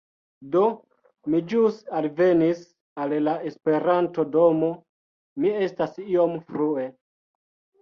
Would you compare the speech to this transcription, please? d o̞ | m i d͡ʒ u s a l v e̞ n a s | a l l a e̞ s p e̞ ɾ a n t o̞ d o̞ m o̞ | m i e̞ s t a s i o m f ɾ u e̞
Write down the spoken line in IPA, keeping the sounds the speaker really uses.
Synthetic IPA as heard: d o̞ | m i d͡ʒ u s a l v e̞ n i s | a l l a e̞ s p e̞ ɾ a n t o̞ d o̞ m o̞ | m i e̞ s t a s i o m f ɾ u e̞

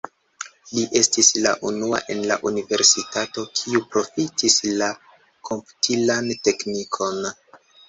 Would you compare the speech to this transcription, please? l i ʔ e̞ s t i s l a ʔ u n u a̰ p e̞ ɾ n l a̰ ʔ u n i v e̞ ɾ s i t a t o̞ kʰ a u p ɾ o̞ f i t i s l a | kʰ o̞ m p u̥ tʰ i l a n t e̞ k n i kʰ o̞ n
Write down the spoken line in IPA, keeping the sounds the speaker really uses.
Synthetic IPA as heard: l i ʔ e̞ s t i s l a ʔ u n u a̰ ʔ e̞ n l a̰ ʔ u n i v e̞ ɾ s i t a t o̞ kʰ i u p ɾ o̞ f i t i s l a | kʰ o̞ m p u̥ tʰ i l a n t e̞ k n i kʰ o̞ n

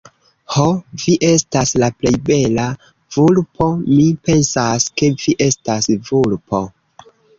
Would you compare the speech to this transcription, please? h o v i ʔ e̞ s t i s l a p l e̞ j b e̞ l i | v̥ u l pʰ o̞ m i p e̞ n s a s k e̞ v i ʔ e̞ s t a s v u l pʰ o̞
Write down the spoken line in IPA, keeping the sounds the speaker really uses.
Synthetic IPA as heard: h o v i ʔ e̞ s t a s l a p l e̞ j b e̞ l a | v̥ u l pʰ o̞ m i p e̞ n s a s k e̞ v i ʔ e̞ s t a s v u l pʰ o̞

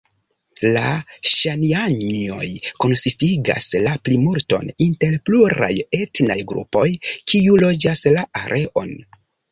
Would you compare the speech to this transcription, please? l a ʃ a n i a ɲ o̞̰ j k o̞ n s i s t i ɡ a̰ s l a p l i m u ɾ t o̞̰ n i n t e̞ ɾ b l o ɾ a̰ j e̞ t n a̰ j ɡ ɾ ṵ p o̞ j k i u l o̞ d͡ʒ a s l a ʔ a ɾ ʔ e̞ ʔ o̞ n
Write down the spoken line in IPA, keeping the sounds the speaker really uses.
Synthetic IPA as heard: l a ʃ a n i a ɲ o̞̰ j k o̞ n s i s t i ɡ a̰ s l a p l i m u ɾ t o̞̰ n i n t e̞ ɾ p l u ɾ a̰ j e̞ t n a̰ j ɡ ɾ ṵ p o̞ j k i u l o̞ d͡ʒ a s l a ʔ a ɾ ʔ e̞ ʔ o̞ n

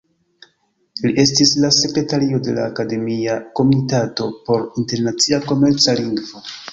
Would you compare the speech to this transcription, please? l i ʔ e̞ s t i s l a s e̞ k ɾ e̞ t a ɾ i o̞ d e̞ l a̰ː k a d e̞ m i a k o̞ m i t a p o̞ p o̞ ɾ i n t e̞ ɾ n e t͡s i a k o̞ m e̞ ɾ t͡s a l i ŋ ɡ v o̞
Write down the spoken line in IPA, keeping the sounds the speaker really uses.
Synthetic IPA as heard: l i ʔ e̞ s t i s l a s e̞ k ɾ e̞ t a ɾ i o̞ d e̞ l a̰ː k a d e̞ m i a k o̞ m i t a t o̞ p o̞ ɾ i n t e̞ ɾ n a t͡s i a k o̞ m e̞ ɾ t͡s a l i ŋ ɡ v o̞

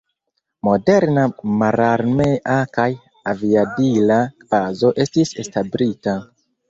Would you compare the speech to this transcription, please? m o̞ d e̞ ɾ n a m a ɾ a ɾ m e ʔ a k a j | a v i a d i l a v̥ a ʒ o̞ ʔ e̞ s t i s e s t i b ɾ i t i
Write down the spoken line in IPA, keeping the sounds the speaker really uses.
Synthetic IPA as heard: m o̞ d e̞ ɾ n a m a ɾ a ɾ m e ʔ a k a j | a v i a d i l a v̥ a z o̞ ʔ e̞ s t i s e s t a b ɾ i t a

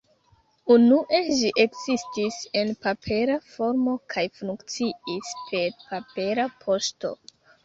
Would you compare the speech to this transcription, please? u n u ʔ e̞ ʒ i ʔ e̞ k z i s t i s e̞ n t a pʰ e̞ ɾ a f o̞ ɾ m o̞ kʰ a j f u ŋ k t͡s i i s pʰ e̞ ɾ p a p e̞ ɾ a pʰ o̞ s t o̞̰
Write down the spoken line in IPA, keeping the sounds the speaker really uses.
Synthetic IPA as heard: u n u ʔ e̞ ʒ i ʔ e̞ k z i s t i s e̞ n p a pʰ e̞ ɾ a f o̞ ɾ m o̞ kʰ a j f u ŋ k t͡s i i s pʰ e̞ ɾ p a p e̞ ɾ a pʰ o̞ s t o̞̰

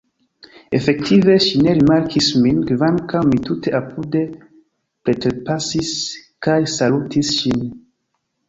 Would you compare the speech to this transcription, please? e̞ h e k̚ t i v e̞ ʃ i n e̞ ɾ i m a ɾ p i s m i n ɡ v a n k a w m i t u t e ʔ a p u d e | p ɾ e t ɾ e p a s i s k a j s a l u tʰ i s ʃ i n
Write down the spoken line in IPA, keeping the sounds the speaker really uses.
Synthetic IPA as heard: e̞ f e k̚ t i v e̞ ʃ i n e̞ ɾ i m a ɾ k i s m i n ɡ v a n k a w m i t u t e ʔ a p u d e | p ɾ e t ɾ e p a s i s k a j s a l u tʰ i s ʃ i n

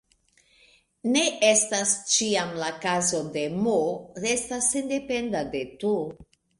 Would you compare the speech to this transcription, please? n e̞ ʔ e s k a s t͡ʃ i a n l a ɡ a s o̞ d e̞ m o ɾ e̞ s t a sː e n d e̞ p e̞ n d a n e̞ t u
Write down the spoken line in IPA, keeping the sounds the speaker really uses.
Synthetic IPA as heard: n e̞ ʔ e s t a s t͡ʃ i a m l a k a z o̞ d e̞ m o ɾ e̞ s t a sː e n d e̞ p e̞ n d a d e̞ t u

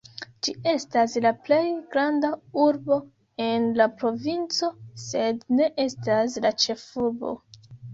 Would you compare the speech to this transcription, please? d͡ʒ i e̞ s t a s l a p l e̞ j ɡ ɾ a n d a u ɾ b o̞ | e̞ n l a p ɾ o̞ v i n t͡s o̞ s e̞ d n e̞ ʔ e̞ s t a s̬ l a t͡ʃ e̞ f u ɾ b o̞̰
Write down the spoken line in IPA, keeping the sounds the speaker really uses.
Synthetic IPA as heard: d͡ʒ i e̞ s t a s l a p l e̞ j ɡ ɾ a n d a u ɾ b o̞ | e̞ n l a p ɾ o̞ v i n t͡s o̞ s e̞ d n e̞ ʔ e̞ s t a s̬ l a t͡ʃ e̞ f u ɾ b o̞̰

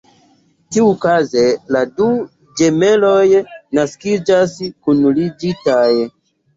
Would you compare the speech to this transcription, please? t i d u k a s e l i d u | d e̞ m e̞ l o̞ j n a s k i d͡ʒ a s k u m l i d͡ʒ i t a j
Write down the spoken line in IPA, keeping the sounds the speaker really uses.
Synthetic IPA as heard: t i u k a z e l a d u | d͡ʒ e̞ m e̞ l o̞ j n a s k i d͡ʒ a s k u n l i d͡ʒ i t a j

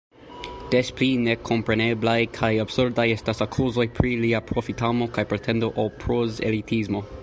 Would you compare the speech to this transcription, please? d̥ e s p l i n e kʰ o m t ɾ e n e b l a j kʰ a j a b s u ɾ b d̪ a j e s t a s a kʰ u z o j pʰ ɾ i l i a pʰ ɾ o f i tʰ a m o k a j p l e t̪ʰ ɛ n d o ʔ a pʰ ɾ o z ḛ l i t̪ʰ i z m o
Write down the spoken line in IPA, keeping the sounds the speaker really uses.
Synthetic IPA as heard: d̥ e s p l i n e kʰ o m p ɾ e n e b l a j kʰ a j a b s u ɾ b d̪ a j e s t a s a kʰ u z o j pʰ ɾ i l i a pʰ ɾ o f i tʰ a m o k a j p ɾ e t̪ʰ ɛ n d o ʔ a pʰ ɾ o z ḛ l i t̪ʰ i z m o

